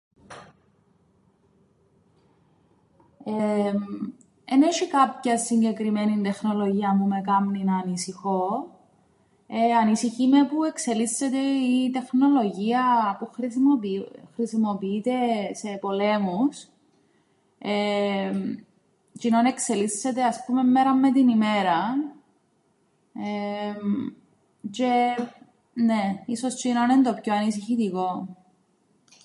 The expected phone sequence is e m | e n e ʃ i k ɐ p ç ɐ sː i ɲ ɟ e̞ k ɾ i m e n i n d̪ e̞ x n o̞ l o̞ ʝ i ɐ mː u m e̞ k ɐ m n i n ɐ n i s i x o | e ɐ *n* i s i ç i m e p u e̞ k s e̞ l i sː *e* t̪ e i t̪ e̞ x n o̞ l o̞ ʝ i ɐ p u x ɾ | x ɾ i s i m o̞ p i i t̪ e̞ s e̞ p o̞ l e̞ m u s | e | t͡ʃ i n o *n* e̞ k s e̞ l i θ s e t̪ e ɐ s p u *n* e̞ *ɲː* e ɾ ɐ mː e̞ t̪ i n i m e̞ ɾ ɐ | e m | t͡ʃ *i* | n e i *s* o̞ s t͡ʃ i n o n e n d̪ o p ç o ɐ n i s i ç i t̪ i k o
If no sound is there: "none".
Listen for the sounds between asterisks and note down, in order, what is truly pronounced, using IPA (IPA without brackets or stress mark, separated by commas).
n, e, n, m, mː, e, s